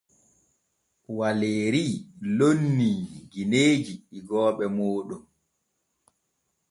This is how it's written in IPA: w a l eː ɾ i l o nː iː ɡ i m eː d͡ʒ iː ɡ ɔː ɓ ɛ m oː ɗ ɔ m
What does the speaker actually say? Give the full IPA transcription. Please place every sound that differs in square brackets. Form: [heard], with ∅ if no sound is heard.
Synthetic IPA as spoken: w a l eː ɾ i l o nː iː ɡ i [n] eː d͡ʒ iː ɡ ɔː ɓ ɛ m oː ɗ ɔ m